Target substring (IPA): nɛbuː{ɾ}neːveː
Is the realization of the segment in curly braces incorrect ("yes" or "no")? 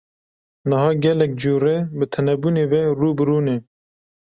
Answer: yes